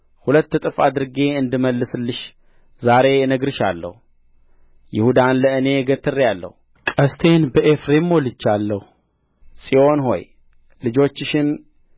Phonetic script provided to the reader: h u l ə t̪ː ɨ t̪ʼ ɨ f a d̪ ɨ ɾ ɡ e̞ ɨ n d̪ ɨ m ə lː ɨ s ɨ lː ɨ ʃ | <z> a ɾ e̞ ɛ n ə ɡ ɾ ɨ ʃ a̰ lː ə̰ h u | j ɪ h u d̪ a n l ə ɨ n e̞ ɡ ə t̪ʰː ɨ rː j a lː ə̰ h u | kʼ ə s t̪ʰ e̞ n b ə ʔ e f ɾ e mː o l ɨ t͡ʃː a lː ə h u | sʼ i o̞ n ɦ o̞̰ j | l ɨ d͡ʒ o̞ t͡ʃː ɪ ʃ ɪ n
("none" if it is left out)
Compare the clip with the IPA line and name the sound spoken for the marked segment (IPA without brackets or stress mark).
z